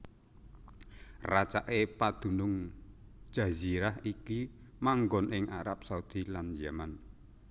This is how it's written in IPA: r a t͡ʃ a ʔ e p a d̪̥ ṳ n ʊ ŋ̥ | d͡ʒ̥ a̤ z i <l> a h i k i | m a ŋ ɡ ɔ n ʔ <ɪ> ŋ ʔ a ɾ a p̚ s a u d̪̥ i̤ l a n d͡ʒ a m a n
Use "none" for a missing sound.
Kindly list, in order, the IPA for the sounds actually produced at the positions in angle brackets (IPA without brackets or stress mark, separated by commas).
ɾ, ɪ